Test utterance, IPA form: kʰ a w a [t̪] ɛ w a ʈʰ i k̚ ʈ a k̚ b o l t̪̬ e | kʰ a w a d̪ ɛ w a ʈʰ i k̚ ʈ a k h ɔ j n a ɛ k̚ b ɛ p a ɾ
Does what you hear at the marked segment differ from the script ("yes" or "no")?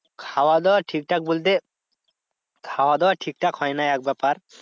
yes